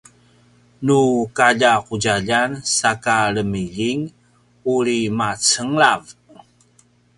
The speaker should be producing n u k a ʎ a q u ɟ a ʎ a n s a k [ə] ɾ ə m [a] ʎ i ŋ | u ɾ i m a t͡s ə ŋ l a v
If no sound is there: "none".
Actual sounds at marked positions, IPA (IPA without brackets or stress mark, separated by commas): a, i